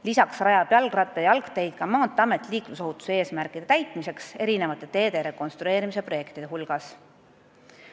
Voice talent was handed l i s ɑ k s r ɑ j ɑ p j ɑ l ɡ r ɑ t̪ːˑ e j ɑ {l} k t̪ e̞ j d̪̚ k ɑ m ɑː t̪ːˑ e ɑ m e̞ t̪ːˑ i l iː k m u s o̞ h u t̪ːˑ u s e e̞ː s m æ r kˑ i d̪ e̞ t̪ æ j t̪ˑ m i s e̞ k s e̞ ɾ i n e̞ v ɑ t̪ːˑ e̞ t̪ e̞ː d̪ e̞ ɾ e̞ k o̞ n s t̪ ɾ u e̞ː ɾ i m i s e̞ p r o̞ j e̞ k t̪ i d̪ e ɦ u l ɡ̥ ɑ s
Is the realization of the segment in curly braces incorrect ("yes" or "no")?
no